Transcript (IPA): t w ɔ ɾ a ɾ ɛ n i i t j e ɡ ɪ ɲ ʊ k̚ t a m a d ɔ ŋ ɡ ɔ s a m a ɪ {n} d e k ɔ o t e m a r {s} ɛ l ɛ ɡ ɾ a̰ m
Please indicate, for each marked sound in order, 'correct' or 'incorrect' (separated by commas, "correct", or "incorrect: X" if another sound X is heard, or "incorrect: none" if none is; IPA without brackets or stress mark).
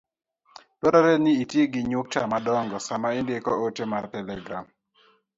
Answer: correct, incorrect: t